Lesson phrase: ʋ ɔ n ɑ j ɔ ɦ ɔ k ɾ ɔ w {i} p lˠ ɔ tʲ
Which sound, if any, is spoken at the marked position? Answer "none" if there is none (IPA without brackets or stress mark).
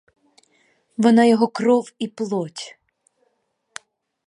i